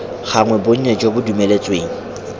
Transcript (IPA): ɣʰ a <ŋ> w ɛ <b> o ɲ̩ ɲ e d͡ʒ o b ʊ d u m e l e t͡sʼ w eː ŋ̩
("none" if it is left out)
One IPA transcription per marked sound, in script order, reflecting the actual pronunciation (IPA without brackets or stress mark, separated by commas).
ŋ, b